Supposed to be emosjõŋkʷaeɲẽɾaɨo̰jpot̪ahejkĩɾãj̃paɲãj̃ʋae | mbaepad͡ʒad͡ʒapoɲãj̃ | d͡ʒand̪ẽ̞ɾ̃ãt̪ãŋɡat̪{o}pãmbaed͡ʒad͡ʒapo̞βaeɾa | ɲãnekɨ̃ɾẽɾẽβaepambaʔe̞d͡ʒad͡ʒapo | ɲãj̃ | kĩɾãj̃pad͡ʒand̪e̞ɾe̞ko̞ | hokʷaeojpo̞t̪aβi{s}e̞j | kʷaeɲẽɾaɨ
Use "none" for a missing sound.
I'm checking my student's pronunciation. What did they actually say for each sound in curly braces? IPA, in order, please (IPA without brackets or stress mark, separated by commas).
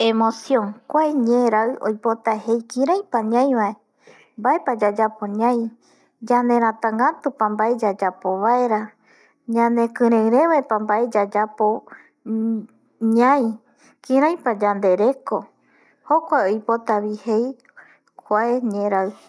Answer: u, h